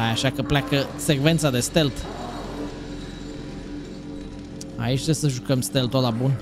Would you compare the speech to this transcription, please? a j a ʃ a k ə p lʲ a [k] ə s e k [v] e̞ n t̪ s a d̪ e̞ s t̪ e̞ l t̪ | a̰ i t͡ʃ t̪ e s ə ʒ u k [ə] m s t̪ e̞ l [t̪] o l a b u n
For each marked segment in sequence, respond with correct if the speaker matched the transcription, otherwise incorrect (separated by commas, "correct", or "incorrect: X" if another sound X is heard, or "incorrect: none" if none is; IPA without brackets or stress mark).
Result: correct, correct, correct, correct